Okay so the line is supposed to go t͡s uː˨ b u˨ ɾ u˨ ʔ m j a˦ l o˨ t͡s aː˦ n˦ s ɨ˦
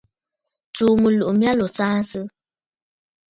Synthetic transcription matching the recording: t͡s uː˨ m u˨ l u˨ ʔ m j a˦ l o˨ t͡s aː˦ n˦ s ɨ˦